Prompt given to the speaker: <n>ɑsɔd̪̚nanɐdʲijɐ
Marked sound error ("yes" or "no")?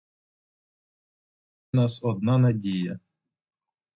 no